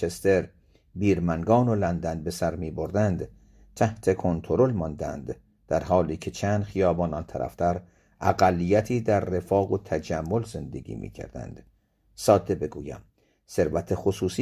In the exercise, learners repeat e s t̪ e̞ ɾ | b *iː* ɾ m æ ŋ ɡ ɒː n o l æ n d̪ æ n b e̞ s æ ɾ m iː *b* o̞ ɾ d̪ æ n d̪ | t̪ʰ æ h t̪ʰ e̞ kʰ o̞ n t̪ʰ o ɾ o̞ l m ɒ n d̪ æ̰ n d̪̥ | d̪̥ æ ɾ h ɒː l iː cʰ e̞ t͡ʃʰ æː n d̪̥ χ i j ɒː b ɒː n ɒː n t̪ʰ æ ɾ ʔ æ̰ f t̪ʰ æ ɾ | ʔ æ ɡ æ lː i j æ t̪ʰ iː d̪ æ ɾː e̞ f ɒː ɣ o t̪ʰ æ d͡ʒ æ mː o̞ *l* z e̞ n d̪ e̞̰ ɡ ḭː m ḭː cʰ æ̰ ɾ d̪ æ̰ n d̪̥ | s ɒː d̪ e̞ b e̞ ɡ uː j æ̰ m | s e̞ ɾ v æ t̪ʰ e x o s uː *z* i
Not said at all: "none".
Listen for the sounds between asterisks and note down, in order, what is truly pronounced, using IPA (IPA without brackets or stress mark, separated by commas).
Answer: iː, b, l, s